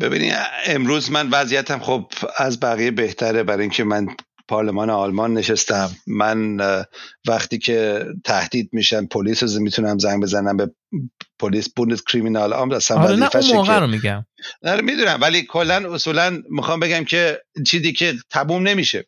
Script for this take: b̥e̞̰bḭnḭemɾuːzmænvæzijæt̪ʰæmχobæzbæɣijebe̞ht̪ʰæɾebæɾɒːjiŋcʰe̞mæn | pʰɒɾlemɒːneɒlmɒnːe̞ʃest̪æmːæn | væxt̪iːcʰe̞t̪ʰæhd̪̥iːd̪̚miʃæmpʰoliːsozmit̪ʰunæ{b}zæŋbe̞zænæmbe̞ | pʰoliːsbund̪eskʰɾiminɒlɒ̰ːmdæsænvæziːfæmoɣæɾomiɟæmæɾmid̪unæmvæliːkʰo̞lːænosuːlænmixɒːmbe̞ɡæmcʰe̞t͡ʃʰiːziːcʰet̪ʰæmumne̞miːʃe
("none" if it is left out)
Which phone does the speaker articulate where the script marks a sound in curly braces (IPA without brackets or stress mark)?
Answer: m